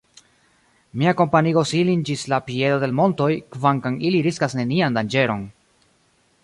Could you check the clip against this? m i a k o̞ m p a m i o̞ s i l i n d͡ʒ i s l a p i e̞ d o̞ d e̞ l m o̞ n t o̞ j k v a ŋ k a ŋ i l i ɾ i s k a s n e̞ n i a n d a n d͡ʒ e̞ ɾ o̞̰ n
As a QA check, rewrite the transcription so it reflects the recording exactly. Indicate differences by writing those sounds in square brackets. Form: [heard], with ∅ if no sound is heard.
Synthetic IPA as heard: m i a k o̞ m p a [n] i o̞ s i l i n d͡ʒ i s l a p i e̞ d o̞ d e̞ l m o̞ n t o̞ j k v a ŋ k a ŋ i l i ɾ i s k a s n e̞ n i a n d a n d͡ʒ e̞ ɾ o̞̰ n